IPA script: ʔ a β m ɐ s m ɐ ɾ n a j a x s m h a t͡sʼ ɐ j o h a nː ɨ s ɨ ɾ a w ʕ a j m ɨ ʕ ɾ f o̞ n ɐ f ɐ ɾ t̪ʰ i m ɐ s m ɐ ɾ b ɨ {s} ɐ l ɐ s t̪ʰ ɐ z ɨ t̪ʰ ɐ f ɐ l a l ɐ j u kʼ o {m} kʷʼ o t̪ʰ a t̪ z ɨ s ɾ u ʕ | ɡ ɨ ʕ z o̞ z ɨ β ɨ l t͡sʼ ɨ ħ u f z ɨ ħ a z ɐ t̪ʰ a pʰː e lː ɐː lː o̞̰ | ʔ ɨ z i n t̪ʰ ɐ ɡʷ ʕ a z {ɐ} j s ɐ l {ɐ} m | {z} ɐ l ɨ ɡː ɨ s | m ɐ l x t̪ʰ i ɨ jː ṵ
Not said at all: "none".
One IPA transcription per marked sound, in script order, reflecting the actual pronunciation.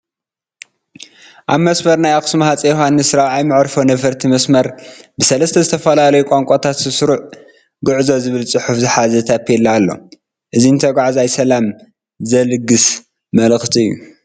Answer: s, ŋ, a, a, z

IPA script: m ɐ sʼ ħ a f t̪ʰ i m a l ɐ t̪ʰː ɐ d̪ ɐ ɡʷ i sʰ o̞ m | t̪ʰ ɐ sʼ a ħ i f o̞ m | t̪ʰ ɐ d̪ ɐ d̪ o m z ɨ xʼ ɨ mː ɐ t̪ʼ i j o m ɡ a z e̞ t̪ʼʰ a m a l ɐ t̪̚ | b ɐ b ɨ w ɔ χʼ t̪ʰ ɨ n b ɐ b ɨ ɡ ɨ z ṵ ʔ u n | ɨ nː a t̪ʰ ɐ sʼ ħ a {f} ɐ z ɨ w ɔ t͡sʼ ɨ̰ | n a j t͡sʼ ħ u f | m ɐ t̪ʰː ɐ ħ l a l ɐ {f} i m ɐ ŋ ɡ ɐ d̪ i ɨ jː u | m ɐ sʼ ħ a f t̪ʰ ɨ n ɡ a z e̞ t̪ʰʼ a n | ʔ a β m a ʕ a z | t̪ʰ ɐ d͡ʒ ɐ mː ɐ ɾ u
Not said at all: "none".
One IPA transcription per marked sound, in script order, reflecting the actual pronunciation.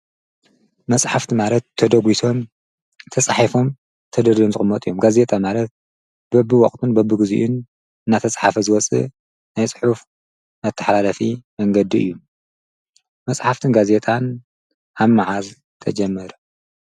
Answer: f, f

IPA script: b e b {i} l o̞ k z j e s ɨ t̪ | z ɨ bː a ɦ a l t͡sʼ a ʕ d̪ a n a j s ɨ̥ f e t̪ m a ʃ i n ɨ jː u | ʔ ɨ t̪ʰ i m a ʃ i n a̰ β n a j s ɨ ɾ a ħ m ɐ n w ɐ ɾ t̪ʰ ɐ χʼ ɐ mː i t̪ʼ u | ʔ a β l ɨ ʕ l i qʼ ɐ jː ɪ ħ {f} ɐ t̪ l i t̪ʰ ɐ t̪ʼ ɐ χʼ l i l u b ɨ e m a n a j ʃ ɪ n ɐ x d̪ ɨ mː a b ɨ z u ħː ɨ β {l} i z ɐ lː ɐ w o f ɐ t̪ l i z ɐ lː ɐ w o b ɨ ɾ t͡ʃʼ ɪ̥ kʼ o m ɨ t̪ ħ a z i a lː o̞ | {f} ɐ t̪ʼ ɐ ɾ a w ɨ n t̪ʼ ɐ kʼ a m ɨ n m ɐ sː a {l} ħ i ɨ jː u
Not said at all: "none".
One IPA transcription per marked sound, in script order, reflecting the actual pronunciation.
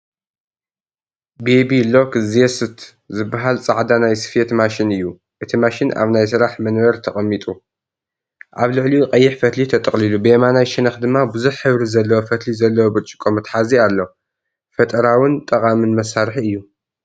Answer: i, f, ɾ, f, ɾ

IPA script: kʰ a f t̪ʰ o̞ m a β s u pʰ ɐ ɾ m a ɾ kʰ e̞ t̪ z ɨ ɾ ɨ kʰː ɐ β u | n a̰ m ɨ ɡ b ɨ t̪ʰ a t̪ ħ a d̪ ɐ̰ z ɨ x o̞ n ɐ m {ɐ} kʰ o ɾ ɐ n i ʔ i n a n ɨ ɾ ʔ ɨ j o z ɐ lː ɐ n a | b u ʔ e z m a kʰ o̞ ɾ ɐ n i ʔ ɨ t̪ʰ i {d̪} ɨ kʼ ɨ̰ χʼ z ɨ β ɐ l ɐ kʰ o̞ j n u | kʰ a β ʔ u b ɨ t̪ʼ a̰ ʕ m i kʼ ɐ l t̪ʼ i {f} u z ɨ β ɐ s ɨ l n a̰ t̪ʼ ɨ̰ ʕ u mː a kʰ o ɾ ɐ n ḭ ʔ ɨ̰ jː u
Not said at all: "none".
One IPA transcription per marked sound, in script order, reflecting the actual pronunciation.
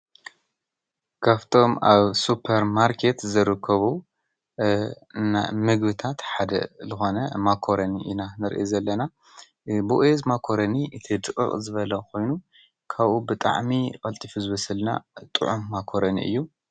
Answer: a, d̪, f

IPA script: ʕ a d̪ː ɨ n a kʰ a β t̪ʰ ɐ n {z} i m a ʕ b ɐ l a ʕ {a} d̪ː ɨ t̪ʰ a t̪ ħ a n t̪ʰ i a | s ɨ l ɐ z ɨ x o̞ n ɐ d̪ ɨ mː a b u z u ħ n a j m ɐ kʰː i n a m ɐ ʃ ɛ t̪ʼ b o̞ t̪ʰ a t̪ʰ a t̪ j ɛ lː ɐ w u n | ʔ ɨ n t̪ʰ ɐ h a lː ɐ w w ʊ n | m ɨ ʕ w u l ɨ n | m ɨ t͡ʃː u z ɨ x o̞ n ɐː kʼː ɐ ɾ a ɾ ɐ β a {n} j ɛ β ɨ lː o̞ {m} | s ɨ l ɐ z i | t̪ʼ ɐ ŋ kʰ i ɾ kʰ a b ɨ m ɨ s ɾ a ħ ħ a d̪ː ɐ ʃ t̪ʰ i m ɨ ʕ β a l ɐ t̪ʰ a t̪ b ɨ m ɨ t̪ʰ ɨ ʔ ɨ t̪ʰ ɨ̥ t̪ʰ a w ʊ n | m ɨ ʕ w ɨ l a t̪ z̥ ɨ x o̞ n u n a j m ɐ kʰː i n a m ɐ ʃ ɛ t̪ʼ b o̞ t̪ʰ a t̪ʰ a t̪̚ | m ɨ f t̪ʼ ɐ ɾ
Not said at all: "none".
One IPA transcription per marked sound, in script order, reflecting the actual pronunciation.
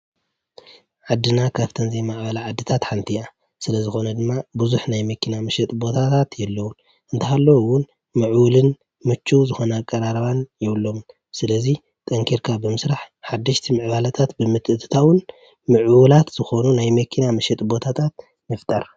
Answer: z, a, n, m

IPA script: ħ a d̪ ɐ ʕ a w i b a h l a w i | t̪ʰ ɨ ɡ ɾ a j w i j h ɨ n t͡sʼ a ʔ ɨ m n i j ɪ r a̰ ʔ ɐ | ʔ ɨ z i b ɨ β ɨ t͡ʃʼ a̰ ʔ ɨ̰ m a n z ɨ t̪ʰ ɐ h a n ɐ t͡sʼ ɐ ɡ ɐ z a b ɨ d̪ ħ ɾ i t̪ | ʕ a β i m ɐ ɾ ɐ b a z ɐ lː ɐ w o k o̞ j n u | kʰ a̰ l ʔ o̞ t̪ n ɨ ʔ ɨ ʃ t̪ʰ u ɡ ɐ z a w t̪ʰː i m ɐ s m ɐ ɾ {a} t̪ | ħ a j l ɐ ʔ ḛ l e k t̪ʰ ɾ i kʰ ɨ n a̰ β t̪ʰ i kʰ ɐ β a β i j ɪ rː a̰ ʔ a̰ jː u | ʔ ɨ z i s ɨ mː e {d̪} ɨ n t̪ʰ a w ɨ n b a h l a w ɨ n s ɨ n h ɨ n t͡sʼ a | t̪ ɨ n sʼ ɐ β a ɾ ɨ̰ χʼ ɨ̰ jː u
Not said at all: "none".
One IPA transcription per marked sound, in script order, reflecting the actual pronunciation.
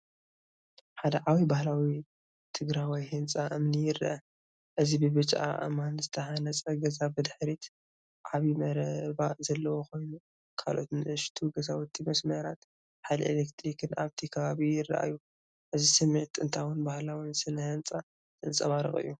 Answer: a, t̪

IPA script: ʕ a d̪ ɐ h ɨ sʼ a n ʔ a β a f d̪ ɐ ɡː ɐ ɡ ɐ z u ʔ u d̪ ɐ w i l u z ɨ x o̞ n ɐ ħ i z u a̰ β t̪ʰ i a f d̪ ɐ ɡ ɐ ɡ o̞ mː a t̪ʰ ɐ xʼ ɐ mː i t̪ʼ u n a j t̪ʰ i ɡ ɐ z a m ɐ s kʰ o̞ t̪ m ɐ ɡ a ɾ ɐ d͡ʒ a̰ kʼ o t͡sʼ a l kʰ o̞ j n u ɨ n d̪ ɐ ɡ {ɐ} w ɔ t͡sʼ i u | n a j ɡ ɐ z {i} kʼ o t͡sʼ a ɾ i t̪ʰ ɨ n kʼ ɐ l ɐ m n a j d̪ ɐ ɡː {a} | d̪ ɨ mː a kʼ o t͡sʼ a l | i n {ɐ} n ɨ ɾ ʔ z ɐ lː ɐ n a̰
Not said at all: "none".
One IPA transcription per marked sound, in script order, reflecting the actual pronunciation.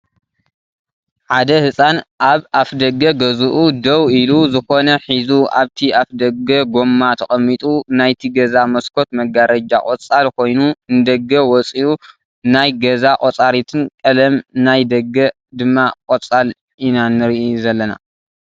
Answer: ɐ, a, ɐ, a

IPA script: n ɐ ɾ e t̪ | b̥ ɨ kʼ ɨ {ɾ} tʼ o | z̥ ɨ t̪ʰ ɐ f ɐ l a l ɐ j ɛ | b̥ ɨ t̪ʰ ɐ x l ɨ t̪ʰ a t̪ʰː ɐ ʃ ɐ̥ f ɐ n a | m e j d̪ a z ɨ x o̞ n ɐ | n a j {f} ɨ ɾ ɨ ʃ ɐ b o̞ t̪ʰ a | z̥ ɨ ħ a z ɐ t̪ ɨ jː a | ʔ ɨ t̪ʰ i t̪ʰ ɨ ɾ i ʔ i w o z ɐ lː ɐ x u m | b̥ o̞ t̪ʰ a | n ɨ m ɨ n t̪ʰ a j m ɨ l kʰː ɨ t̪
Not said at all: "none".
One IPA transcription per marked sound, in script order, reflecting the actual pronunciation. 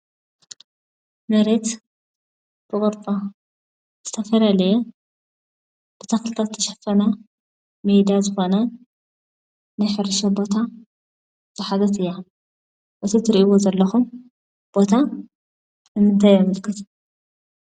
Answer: ɾ, ħ

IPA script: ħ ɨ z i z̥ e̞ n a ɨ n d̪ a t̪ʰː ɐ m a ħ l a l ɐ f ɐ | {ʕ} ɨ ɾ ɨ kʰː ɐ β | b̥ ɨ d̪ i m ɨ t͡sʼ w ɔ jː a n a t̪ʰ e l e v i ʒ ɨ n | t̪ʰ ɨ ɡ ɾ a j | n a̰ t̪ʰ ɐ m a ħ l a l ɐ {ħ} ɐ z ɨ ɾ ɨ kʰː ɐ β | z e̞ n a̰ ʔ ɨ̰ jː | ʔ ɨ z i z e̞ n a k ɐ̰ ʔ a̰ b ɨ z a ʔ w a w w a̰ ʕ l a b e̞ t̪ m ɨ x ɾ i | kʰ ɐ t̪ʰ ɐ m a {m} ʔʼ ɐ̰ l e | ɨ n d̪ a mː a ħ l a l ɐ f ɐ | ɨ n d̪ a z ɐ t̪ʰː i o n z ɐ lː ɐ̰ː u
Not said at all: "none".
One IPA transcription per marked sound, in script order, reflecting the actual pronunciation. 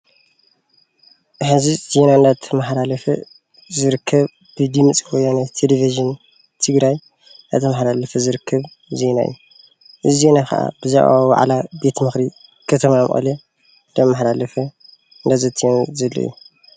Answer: z, f, m

